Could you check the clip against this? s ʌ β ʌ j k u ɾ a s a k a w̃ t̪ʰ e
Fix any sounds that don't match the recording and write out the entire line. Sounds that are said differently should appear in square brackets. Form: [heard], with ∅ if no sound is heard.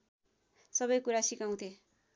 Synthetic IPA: s ʌ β ʌ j k u ɾ a s [i] k a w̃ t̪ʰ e